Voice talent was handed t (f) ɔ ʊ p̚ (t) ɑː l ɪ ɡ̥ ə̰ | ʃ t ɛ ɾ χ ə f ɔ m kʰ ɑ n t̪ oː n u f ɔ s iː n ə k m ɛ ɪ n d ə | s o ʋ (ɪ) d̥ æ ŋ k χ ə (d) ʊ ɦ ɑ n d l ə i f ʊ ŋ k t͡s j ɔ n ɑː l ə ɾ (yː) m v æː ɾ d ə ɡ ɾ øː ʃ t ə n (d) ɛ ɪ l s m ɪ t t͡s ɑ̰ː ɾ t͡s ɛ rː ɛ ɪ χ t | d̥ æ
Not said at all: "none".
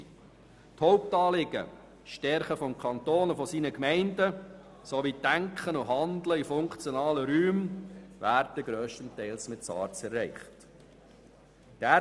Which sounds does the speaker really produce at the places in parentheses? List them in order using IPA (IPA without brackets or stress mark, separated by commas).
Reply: h, t, i, n, yː, t